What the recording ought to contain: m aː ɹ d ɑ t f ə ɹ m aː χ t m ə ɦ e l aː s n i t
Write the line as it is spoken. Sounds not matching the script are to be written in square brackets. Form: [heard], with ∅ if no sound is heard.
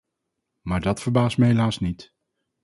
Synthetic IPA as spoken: m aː ɹ d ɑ t f ə ɹ [b] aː [s] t m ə ɦ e l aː s n i t